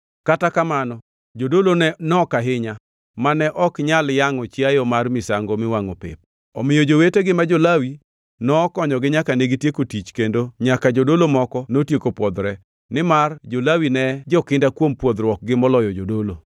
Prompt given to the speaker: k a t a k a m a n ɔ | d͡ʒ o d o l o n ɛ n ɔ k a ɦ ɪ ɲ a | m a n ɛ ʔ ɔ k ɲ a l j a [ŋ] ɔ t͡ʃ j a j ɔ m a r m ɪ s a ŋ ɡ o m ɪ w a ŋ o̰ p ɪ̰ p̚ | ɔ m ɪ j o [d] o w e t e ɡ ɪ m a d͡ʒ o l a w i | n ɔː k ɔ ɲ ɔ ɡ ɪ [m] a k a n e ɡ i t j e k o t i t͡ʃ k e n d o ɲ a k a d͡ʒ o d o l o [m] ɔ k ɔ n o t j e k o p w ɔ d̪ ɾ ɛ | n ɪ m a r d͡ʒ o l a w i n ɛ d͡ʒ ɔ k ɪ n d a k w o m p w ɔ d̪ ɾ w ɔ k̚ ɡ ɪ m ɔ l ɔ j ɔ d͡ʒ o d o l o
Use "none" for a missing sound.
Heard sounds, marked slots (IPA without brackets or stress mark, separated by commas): ŋ, d͡ʒ, ɲ, m